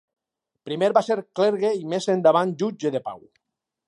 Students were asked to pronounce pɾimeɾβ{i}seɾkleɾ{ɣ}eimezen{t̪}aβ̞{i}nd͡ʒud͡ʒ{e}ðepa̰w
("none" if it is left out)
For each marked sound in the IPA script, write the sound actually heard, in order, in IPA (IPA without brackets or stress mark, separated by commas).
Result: a, ɣ, d̪, a, e